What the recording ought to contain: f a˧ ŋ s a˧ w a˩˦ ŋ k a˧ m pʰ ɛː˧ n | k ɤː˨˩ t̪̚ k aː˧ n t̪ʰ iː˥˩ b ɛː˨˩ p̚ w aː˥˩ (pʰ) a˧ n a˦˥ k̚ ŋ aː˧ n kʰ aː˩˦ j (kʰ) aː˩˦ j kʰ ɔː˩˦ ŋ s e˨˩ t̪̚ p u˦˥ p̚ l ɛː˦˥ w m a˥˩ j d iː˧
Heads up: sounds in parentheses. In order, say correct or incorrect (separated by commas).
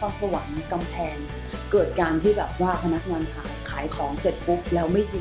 correct, correct